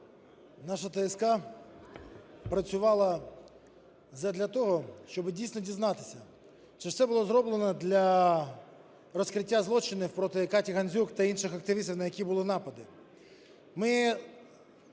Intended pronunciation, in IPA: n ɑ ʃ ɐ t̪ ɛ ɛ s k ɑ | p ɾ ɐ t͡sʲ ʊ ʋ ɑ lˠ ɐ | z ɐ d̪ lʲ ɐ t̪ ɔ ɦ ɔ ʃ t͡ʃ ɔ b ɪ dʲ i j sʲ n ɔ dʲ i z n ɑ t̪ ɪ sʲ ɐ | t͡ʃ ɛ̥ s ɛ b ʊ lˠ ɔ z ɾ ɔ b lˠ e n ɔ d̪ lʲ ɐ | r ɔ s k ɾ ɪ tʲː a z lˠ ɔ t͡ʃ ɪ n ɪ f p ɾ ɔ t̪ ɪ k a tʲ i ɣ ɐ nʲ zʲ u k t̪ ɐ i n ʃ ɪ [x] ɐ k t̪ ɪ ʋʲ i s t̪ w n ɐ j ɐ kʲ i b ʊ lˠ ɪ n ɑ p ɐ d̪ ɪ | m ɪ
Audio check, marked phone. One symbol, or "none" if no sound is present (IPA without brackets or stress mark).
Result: x